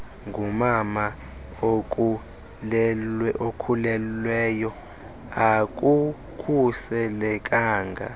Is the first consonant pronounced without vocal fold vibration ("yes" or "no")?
no